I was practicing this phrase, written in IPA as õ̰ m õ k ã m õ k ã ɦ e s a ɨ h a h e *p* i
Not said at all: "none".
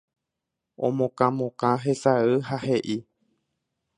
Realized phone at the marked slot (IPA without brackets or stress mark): ʔ